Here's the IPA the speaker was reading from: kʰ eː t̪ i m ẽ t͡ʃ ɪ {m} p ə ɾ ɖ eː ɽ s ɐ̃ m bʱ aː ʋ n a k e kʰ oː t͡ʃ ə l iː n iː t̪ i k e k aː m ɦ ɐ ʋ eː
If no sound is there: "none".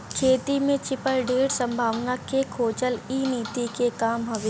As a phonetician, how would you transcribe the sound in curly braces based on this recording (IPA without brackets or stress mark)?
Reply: none